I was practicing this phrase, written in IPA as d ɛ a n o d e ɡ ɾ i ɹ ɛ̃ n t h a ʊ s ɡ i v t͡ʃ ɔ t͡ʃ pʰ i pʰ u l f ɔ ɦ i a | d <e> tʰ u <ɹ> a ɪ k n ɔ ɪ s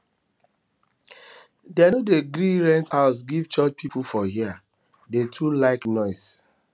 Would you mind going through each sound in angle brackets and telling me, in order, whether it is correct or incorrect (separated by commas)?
correct, incorrect